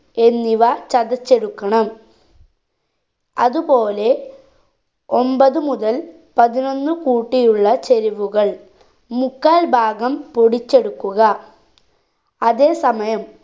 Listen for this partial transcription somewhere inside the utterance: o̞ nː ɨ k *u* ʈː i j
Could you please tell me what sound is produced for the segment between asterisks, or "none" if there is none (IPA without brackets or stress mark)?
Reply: uː